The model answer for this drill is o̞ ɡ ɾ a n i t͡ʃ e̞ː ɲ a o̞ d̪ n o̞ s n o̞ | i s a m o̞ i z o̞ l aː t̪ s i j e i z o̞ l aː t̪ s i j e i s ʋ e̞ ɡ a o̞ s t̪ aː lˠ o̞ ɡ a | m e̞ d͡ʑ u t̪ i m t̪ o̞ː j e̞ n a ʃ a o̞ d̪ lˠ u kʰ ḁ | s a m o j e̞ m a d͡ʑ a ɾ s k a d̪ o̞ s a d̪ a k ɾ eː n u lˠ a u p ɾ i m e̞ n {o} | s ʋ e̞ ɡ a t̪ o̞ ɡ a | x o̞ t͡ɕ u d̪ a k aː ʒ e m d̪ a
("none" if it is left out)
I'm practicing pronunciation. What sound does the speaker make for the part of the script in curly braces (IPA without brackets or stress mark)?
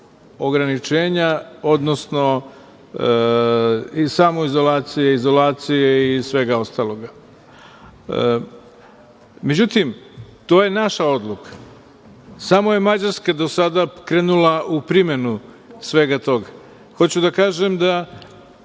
u